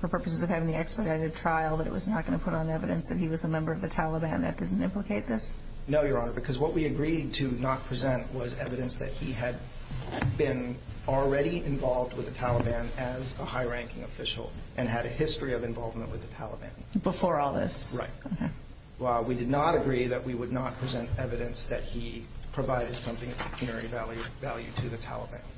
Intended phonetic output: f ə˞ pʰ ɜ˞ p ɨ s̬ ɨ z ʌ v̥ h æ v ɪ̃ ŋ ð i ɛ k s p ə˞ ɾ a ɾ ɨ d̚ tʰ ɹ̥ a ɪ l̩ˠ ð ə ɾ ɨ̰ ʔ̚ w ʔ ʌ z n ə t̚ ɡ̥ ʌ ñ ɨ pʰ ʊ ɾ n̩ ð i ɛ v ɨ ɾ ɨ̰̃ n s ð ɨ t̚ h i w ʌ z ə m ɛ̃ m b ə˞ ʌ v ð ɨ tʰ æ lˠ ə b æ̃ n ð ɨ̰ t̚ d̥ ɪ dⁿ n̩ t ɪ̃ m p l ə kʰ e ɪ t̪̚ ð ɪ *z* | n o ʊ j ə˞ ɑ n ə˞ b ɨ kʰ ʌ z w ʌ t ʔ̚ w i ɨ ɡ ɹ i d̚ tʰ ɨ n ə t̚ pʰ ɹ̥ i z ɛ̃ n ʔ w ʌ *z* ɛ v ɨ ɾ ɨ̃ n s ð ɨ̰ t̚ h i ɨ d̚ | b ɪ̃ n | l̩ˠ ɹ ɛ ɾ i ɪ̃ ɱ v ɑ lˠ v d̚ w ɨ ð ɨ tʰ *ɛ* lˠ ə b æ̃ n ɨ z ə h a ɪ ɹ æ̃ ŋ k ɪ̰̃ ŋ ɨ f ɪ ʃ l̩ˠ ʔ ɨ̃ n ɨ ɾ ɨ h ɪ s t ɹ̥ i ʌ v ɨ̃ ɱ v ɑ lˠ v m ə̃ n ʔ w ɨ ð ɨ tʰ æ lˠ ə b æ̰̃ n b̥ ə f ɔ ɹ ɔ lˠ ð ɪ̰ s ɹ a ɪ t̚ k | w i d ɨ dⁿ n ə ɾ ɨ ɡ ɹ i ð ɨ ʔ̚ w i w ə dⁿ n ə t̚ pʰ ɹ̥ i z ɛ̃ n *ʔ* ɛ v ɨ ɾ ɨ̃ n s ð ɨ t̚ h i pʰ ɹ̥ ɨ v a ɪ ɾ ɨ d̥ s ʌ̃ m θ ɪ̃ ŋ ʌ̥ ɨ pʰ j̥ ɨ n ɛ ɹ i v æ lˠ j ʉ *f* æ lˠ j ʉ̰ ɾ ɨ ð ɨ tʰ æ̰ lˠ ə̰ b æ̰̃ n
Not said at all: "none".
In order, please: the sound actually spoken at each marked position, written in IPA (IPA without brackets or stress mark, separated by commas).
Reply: s, z, æ, t, v